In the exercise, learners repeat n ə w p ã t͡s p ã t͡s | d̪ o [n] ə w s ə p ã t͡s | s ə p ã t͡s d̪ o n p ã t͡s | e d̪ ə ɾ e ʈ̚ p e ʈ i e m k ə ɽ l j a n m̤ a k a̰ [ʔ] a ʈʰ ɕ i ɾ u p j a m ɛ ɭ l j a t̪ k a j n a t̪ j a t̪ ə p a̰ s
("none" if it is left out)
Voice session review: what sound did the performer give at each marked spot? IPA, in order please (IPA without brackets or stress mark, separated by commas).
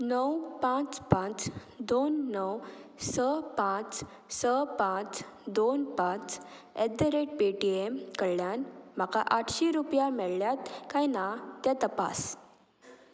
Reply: nː, ʔ